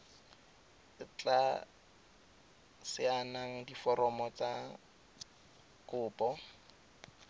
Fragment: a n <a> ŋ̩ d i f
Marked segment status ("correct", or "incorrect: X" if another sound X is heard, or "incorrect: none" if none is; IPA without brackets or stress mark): correct